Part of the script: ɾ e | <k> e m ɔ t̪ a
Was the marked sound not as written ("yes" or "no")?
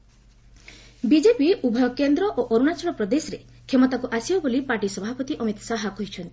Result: yes